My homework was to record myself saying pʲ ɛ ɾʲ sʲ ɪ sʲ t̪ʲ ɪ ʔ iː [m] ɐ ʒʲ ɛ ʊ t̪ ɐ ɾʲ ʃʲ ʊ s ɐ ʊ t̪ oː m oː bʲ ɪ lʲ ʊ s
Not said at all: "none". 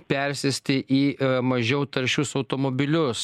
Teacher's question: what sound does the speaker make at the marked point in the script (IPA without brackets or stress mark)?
m